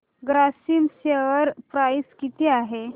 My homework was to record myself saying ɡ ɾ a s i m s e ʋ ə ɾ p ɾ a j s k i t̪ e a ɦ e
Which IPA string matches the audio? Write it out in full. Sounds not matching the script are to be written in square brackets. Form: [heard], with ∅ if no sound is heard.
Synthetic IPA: ɡ ɾ a s i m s e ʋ ə ɾ p ɾ a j s k i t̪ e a ɦ e